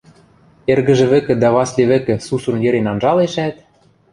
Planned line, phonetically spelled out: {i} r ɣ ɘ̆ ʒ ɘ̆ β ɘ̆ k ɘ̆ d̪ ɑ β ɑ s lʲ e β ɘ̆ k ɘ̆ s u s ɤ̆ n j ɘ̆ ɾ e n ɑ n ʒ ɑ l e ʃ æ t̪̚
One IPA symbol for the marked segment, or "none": e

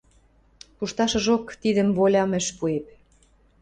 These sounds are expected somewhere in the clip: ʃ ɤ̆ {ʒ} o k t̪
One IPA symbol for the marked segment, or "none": ʒ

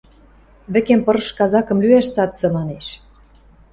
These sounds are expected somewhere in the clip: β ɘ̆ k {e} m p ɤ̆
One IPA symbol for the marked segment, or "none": e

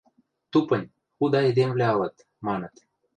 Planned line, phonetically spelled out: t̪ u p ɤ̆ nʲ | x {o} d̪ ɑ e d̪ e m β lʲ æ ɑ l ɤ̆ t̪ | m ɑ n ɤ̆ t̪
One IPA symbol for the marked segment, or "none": u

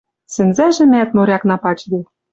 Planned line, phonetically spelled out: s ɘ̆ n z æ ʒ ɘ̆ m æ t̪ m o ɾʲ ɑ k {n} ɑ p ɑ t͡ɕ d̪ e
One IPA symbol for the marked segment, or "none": n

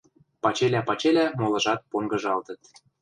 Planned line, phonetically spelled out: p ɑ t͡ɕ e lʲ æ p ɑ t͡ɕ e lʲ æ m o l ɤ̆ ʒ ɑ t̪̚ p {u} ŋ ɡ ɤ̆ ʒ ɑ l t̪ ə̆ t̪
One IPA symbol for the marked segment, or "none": o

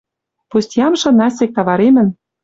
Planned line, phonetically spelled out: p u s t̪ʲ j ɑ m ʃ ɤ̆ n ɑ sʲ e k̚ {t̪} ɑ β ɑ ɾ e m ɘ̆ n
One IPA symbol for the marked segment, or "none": t̪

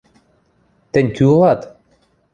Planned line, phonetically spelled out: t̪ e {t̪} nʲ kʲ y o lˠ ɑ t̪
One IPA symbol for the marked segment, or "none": none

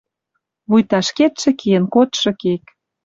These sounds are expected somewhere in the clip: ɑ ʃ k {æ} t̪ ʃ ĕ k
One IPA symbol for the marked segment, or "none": e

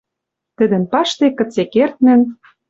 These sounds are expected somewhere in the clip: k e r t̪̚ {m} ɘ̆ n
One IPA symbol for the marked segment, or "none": n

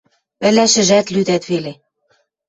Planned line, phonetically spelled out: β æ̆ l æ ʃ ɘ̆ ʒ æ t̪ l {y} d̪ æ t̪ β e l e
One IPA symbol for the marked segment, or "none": y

